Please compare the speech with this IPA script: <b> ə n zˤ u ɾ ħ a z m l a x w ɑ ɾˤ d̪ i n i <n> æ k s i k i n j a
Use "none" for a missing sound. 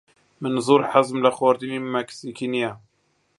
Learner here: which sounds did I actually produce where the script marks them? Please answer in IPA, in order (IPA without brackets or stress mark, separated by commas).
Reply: m, m